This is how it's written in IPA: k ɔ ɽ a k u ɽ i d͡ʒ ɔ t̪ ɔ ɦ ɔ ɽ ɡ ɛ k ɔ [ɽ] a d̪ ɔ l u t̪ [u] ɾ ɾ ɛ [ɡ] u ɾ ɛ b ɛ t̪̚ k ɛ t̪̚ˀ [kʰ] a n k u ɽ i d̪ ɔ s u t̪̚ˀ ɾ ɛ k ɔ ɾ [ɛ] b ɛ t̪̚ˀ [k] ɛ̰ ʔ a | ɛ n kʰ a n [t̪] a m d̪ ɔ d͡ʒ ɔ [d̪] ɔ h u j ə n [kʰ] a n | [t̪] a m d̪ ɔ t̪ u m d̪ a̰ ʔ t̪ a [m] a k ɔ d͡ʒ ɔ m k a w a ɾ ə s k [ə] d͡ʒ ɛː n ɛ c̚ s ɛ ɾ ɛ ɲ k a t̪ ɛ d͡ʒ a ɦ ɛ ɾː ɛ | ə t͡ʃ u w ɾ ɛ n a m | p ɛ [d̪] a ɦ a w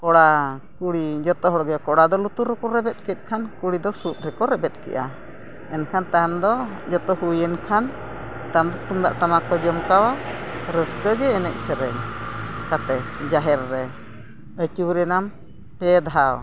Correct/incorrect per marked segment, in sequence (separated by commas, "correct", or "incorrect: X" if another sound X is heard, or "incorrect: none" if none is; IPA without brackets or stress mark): correct, correct, incorrect: k, correct, correct, correct, correct, incorrect: t̪, correct, correct, correct, correct, correct